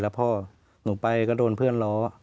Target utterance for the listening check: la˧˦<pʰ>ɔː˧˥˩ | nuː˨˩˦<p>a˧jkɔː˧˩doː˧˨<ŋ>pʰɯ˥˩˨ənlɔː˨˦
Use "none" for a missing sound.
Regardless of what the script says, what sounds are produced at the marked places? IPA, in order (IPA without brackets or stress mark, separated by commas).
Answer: pʰ, p, n